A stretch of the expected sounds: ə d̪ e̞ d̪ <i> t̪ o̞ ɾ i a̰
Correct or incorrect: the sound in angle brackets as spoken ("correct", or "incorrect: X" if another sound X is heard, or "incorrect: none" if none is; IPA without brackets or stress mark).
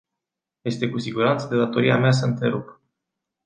incorrect: a